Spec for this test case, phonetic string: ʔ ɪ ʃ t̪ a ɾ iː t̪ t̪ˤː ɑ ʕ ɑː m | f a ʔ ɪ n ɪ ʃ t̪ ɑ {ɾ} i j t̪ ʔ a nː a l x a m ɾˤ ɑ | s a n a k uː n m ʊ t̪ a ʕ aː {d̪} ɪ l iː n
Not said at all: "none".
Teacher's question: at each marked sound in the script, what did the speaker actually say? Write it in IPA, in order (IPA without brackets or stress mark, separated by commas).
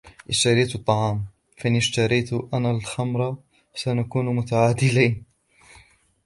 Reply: ɾ, d̪